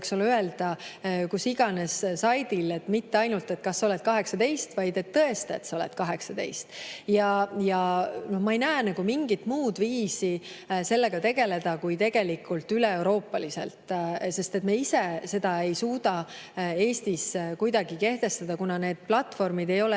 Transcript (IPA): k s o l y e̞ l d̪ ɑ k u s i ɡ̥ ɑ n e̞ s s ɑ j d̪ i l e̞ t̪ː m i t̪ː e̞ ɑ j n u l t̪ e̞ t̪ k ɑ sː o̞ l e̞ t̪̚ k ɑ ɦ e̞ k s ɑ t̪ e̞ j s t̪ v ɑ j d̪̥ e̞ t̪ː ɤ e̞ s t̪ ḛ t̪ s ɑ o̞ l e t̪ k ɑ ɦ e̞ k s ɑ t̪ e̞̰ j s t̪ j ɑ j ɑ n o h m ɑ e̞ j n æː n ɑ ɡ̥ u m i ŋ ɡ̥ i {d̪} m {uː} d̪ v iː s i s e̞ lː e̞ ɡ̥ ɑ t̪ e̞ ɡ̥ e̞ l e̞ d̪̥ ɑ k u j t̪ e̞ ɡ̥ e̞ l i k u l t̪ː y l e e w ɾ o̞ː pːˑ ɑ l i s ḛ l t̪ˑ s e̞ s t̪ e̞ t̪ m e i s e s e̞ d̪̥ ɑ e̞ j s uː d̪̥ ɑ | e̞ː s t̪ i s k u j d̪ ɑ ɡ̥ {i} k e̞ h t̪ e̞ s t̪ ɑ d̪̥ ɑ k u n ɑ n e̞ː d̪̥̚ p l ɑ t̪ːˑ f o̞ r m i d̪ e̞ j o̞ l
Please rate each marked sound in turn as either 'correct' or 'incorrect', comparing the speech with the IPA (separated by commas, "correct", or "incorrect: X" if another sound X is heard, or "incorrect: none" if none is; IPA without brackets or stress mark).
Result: incorrect: t̪, correct, correct